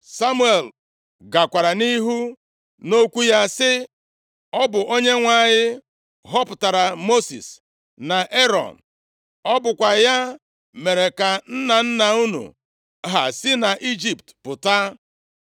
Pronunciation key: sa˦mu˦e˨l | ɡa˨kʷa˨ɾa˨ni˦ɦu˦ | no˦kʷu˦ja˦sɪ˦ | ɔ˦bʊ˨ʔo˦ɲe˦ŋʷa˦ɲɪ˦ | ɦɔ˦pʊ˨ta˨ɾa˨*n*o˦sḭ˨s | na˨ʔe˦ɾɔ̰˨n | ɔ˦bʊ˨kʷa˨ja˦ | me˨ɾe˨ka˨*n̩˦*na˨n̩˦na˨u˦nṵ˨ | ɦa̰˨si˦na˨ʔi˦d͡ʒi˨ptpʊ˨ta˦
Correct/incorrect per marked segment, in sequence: incorrect: m, correct

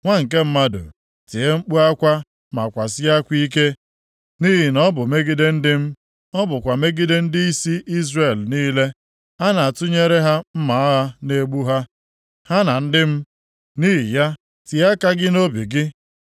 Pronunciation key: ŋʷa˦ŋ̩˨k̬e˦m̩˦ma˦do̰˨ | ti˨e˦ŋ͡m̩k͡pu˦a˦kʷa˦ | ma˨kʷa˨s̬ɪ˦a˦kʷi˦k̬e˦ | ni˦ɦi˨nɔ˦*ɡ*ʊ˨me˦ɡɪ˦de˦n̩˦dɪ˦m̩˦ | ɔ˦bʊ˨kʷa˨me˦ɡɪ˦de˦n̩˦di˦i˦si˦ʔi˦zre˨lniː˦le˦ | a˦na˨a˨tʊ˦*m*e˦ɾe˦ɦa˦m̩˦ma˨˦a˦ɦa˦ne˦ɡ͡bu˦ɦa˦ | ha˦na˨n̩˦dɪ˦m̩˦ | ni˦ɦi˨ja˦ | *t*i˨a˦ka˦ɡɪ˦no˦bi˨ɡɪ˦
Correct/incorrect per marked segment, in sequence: incorrect: b, incorrect: ɲ, correct

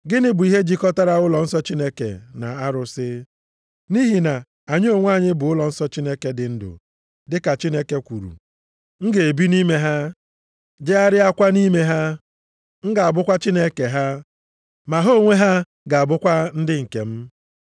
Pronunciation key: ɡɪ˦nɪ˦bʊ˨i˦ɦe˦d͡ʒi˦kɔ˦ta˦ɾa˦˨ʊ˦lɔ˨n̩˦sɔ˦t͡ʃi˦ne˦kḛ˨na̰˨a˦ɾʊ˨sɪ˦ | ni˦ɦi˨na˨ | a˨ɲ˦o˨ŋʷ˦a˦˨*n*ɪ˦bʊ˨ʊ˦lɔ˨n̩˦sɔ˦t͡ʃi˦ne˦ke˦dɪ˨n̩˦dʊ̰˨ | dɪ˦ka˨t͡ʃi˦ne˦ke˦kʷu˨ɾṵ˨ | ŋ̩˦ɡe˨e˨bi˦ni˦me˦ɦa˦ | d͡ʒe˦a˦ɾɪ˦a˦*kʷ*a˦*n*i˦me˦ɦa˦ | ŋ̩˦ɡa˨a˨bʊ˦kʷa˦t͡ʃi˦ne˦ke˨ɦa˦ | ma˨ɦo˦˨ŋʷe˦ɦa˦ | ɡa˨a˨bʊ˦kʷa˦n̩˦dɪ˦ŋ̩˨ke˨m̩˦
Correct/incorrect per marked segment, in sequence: incorrect: ɲ, correct, correct

